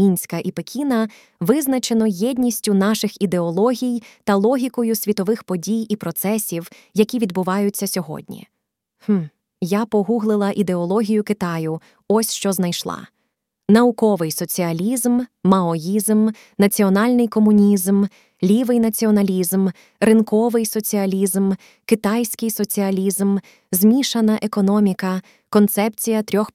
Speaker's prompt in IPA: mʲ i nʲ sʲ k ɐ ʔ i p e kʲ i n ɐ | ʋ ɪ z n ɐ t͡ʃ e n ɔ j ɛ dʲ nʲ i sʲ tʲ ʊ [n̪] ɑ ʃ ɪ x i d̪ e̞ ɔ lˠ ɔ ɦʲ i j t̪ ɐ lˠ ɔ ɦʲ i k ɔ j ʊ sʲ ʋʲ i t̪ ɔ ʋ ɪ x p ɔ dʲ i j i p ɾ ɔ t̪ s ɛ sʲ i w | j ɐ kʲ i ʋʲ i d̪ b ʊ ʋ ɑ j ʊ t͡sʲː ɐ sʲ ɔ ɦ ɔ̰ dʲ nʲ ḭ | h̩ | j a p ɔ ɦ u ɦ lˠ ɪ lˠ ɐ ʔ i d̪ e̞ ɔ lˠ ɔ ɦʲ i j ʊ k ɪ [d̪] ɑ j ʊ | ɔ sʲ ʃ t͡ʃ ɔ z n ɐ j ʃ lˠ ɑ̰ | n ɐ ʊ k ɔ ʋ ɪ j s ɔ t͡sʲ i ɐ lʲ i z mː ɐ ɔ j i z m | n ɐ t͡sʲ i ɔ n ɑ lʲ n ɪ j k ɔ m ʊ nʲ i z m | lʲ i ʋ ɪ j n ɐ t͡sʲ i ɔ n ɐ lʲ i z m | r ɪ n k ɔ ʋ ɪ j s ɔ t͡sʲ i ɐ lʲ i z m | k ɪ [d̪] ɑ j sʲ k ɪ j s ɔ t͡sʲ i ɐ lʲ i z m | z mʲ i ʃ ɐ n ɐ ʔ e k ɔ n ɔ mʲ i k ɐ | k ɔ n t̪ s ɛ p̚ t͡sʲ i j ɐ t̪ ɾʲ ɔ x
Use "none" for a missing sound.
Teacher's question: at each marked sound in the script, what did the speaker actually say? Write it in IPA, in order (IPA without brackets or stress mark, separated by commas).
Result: n̪, t̪, t̪